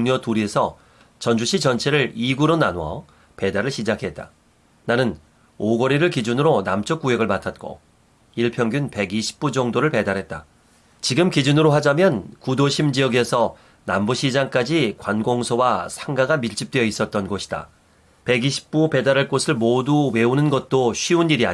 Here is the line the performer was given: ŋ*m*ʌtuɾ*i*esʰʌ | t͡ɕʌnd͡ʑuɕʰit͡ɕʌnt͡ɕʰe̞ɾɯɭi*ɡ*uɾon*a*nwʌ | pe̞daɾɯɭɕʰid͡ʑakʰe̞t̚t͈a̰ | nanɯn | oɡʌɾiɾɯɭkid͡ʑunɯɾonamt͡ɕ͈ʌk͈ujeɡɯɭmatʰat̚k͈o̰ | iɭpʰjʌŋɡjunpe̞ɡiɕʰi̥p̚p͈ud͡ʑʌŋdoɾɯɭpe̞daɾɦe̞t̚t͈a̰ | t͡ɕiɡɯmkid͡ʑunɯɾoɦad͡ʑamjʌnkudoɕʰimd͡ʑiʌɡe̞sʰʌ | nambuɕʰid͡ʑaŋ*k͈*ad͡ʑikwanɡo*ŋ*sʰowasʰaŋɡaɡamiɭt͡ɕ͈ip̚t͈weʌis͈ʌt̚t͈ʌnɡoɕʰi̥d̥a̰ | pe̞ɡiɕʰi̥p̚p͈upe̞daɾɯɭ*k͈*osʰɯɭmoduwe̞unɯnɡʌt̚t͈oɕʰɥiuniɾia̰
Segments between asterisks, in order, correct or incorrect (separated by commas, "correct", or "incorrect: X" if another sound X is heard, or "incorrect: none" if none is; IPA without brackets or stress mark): incorrect: ɲ, correct, correct, correct, correct, correct, correct